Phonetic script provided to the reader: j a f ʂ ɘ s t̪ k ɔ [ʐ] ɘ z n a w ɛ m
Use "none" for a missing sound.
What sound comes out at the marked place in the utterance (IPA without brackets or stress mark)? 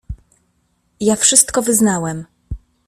v